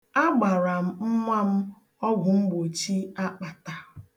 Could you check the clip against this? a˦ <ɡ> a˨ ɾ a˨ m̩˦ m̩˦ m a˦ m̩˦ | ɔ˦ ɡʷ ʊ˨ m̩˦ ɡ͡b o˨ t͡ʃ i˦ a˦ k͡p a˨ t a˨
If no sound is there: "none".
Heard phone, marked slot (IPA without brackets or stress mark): ɡ͡b